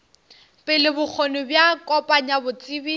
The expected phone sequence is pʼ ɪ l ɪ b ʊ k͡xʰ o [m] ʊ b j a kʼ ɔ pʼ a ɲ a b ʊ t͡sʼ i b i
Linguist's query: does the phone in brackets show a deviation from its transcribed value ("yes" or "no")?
yes